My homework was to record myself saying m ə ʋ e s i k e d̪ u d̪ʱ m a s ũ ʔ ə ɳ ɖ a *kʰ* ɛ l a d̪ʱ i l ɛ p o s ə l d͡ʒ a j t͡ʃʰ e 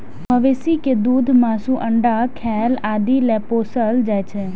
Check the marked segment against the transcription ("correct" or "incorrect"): correct